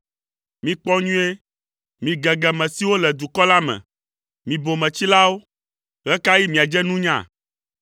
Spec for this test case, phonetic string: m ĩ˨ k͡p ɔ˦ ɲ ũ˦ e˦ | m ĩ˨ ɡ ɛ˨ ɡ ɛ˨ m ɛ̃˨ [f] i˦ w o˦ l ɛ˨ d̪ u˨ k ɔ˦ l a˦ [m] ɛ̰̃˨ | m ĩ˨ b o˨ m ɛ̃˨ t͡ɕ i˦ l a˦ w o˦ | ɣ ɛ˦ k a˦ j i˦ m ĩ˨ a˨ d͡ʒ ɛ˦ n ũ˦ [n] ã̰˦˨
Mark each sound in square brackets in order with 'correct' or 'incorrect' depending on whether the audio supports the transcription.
incorrect, correct, incorrect

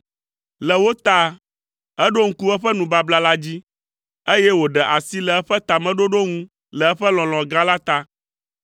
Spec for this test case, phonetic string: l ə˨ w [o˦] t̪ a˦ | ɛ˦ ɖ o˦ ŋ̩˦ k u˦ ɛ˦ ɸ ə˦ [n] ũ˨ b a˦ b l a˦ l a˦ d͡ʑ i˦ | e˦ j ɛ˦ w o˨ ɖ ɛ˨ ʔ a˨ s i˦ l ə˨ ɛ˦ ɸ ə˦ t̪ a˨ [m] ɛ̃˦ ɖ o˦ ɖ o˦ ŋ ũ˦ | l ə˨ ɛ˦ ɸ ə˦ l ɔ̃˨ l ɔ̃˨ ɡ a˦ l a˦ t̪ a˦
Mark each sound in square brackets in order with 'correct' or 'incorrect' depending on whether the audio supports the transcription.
correct, correct, correct

